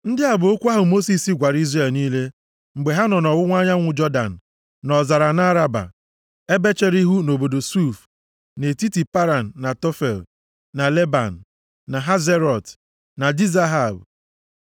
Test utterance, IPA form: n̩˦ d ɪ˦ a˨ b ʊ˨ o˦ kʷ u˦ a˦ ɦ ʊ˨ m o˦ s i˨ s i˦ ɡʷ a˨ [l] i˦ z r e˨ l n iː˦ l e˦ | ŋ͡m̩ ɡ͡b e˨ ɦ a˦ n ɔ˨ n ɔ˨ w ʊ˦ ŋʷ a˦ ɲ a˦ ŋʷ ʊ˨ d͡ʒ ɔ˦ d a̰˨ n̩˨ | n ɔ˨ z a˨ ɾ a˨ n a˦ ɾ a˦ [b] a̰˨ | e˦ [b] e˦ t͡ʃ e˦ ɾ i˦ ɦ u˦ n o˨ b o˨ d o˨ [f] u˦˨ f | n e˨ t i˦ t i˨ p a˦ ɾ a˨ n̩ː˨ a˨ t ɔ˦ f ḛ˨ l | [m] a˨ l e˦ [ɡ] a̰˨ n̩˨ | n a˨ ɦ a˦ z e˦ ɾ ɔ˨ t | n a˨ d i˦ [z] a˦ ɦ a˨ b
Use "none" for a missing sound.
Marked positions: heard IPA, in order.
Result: ɾ, b, b, s, n, b, z

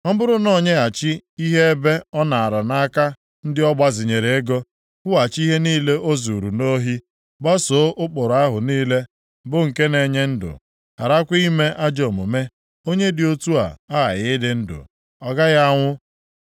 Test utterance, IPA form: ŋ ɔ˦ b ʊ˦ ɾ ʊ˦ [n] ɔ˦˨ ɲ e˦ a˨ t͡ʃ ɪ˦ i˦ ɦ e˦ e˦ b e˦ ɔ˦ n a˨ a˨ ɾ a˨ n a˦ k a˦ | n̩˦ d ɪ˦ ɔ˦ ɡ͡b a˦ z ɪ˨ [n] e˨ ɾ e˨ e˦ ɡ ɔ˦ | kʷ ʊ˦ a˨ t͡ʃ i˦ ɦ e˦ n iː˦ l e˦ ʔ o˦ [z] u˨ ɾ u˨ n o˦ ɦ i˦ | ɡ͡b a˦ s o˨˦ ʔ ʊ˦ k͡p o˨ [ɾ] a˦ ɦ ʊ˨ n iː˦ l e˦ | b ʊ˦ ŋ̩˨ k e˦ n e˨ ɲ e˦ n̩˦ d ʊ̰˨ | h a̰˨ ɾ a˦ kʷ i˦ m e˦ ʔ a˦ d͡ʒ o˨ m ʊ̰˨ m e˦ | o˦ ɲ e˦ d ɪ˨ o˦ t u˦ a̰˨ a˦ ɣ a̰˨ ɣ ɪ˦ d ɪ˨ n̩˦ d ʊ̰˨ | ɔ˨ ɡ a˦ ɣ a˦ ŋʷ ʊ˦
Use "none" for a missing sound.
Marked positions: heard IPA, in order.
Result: n, ɲ, z, ɾ

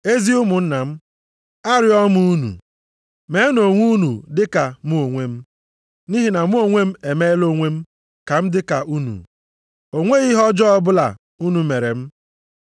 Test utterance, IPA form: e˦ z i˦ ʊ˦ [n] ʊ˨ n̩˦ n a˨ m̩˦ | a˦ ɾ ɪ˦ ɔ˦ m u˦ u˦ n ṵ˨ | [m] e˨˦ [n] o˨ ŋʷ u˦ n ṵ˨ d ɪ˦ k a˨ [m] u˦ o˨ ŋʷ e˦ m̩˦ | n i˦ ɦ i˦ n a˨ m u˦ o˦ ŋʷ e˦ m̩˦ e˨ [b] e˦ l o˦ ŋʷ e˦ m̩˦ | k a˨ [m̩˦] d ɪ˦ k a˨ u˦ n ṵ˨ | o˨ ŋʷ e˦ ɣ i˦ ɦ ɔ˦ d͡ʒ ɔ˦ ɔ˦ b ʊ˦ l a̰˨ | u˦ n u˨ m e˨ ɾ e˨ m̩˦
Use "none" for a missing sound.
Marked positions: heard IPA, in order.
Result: m, m, n, m, m, m̩˦

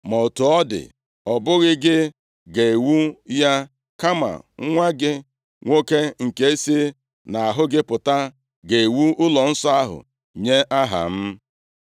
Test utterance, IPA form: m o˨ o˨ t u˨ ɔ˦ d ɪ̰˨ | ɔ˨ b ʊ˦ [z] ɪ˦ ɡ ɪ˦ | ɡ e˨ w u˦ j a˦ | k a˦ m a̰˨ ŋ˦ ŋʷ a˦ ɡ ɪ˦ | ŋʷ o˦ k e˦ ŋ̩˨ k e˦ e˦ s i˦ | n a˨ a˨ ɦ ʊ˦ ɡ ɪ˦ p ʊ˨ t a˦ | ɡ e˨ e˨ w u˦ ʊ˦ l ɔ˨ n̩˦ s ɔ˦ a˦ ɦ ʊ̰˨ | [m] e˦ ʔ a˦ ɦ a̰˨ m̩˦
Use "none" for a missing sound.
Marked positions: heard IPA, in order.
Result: ɣ, ɲ

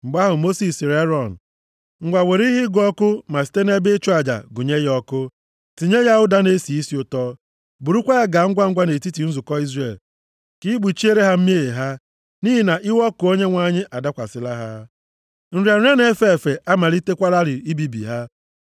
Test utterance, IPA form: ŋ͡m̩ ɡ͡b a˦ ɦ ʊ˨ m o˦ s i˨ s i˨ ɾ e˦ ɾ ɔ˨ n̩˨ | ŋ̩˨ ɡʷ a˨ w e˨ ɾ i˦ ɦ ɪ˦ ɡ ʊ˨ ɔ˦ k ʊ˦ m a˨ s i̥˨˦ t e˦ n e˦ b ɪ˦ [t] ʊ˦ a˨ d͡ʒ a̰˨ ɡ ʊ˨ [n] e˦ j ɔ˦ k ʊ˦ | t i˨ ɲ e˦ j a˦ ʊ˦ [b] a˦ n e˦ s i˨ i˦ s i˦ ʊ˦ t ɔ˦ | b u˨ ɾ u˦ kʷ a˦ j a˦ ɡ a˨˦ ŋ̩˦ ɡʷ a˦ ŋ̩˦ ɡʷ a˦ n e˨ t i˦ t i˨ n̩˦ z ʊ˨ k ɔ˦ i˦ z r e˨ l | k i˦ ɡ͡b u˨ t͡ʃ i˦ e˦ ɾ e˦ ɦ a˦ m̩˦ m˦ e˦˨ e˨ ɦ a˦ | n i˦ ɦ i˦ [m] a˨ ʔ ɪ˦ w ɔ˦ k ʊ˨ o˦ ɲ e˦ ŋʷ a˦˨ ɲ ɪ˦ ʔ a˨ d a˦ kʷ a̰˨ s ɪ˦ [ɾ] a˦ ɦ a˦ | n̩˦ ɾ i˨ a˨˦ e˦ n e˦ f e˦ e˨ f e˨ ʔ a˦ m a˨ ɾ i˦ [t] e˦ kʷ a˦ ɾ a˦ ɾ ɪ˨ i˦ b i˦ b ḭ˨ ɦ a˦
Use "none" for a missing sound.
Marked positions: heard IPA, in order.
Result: t͡ʃ, ɲ, d, n, l, t

